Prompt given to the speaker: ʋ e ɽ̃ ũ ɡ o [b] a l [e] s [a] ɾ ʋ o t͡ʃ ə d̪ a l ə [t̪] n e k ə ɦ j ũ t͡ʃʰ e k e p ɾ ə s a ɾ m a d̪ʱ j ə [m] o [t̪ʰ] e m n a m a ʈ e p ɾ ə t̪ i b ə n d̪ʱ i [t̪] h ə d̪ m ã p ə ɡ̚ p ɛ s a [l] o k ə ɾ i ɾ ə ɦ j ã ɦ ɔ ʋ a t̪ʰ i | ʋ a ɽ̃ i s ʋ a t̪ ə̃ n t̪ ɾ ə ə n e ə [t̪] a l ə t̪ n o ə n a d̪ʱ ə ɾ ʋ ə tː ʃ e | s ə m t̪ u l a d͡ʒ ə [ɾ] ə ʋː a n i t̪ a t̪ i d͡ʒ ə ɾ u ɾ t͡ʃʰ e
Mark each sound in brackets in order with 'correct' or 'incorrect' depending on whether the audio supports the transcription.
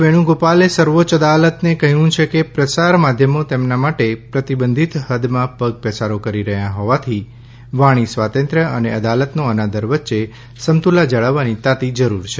incorrect, correct, incorrect, correct, correct, incorrect, correct, incorrect, incorrect, incorrect

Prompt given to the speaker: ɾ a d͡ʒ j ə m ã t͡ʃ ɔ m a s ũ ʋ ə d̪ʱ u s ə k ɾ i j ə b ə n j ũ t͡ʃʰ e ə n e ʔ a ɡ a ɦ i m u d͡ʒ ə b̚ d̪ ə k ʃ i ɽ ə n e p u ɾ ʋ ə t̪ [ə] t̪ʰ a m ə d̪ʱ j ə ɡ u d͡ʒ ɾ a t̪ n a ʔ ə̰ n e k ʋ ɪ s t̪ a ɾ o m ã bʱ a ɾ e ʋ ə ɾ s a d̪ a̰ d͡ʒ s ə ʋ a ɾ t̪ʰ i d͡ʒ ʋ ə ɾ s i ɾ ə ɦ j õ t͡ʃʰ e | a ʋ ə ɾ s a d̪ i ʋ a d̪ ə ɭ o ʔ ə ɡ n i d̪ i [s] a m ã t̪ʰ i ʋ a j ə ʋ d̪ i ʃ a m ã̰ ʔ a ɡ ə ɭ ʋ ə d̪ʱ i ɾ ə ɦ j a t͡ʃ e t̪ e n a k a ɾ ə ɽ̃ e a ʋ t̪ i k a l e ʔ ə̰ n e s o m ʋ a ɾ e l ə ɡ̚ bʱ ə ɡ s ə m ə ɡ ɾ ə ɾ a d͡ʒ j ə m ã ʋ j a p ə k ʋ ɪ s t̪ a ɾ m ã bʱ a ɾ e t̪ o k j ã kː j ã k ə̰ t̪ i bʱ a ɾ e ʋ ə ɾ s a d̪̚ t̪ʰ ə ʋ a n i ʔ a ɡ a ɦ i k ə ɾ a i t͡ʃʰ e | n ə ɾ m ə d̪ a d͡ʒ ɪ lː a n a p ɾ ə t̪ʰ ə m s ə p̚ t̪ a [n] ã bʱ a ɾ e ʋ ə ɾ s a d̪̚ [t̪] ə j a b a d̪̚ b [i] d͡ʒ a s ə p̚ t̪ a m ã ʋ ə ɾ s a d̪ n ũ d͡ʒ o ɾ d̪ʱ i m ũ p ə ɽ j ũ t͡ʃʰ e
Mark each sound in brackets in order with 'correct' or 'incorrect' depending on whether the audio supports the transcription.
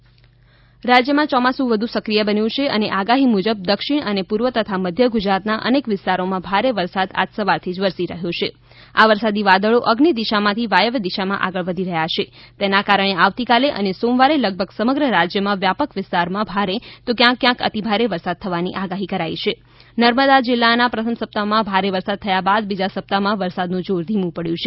correct, incorrect, incorrect, incorrect, correct

